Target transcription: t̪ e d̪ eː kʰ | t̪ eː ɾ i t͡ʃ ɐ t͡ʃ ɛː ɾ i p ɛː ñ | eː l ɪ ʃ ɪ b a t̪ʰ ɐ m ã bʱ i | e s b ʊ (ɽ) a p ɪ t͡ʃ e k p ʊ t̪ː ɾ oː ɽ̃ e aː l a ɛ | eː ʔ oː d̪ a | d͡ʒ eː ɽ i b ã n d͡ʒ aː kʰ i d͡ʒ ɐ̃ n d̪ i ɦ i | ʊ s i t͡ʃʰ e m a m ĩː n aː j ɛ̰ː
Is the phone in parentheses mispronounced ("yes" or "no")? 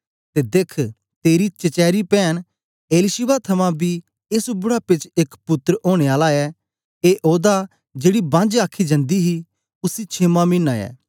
no